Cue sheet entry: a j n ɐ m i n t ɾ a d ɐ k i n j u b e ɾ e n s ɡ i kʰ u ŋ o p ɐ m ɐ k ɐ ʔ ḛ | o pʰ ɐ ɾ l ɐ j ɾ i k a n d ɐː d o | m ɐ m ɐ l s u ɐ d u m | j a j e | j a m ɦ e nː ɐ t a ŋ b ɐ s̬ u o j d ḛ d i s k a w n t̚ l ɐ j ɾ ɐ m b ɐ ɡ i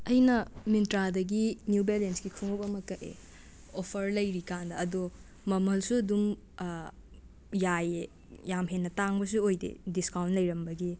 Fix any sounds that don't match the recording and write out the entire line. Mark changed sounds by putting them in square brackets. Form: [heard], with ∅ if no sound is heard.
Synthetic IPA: [ɐ] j n ɐ m i n t ɾ a d ɐ [ɡ] i n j u b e [l] e n s ɡ i kʰ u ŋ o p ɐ m ɐ k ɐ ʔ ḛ | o pʰ ɐ ɾ l ɐ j ɾ i k a n d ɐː d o | m ɐ m ɐ l s u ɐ d u m | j a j e | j a m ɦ e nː ɐ t a ŋ b ɐ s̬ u o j d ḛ d i s k a w n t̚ l ɐ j ɾ ɐ m b ɐ ɡ i